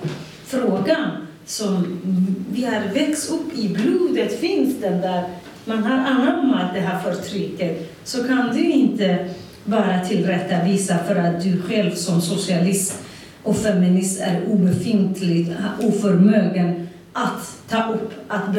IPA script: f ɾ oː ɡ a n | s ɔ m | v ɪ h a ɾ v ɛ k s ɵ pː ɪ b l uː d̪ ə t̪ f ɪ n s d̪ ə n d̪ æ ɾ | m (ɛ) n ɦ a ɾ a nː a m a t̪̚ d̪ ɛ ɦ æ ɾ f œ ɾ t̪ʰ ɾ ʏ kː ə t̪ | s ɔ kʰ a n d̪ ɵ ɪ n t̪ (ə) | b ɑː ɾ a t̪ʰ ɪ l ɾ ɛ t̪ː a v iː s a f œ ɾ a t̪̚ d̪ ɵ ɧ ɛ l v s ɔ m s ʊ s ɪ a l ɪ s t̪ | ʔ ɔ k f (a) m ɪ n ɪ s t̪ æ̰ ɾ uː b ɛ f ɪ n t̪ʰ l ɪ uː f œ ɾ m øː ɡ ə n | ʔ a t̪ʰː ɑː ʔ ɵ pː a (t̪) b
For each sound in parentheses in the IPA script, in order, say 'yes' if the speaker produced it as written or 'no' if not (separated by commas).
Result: no, yes, no, yes